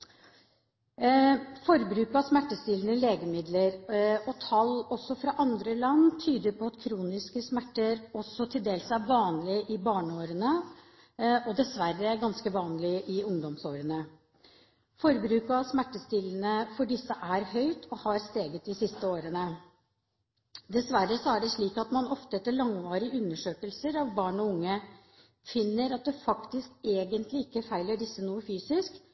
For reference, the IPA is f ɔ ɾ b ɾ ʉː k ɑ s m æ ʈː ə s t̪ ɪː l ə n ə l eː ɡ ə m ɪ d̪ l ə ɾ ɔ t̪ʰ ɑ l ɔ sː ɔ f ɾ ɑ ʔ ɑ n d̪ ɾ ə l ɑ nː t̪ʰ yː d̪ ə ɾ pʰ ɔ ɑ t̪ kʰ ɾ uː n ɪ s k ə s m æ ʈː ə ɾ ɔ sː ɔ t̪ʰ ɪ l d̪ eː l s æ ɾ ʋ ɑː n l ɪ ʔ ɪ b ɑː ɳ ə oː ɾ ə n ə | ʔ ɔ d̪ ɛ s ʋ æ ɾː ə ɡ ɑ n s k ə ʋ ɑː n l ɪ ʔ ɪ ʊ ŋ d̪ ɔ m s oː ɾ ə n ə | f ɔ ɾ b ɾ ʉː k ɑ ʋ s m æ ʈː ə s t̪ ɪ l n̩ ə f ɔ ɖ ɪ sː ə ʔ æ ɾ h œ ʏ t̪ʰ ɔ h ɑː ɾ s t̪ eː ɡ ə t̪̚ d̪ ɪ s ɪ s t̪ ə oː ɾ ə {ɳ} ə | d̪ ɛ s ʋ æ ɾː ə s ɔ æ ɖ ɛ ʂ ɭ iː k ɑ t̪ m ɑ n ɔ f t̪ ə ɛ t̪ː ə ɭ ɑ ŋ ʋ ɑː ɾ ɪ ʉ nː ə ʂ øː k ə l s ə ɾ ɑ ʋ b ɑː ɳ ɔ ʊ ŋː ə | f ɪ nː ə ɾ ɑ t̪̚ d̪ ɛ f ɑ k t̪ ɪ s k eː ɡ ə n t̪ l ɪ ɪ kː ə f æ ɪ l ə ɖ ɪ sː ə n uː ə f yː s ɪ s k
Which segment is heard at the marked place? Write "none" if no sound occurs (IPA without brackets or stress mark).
n